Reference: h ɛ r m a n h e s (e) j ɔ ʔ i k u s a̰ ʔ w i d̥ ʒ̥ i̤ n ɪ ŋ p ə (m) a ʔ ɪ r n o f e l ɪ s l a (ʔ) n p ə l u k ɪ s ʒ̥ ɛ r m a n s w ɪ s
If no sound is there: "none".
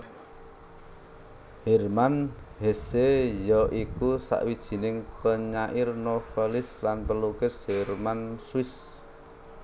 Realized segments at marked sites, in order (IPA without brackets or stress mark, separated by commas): e, ɲ, none